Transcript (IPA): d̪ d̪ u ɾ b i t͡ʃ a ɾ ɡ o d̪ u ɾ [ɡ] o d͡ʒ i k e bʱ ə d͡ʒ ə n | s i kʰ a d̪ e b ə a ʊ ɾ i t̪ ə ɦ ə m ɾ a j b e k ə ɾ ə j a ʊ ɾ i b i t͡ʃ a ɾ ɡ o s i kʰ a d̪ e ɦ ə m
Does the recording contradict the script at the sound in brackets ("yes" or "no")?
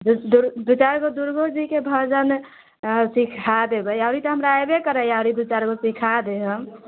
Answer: no